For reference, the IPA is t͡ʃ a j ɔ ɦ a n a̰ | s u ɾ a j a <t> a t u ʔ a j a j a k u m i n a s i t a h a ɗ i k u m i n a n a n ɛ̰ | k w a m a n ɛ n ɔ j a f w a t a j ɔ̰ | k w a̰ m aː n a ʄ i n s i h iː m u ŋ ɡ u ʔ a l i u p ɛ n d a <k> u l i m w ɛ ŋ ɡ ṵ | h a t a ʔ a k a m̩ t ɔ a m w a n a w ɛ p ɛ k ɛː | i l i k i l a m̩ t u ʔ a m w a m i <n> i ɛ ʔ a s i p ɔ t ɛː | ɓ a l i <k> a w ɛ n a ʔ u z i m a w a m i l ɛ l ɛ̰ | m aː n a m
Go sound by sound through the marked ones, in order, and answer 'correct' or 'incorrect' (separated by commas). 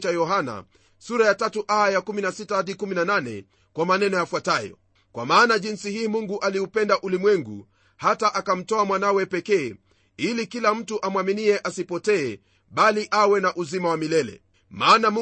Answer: correct, incorrect, correct, incorrect